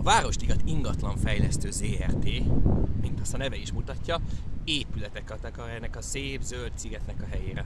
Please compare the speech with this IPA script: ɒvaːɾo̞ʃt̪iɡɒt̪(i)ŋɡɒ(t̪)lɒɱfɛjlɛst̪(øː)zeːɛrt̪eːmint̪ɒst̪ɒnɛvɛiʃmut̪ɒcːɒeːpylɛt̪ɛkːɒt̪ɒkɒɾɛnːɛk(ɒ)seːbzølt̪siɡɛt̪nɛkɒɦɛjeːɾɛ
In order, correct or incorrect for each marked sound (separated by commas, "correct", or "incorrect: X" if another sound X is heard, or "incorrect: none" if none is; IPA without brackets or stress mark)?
correct, correct, correct, correct